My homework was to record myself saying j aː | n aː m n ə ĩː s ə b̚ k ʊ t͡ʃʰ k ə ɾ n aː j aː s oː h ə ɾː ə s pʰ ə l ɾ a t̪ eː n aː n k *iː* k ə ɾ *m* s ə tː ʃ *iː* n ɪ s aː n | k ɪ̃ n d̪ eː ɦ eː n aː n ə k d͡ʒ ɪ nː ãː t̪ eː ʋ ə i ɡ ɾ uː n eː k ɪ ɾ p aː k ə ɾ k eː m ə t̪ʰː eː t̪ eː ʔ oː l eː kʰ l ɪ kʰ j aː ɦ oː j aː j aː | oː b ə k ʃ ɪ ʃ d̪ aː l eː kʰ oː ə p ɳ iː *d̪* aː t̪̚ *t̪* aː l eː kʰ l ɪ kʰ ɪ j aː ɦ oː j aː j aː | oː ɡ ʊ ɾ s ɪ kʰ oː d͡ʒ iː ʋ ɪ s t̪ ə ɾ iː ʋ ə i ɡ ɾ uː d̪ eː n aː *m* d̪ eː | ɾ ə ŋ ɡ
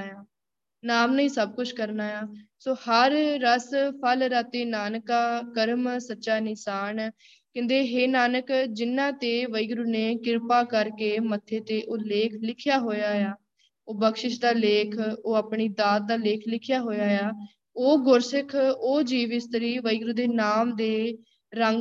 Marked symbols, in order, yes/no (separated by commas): no, yes, no, yes, no, yes